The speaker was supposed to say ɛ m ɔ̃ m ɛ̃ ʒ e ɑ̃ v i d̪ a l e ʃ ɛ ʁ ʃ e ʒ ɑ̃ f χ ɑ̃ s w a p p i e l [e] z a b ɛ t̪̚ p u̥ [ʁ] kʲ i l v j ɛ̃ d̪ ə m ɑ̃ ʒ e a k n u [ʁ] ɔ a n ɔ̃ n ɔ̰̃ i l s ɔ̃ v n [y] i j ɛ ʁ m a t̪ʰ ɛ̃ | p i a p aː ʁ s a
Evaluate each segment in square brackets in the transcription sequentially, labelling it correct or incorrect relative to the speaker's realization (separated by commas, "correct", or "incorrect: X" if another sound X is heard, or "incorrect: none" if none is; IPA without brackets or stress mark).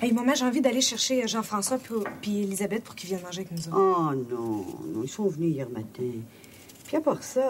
incorrect: i, correct, incorrect: z, correct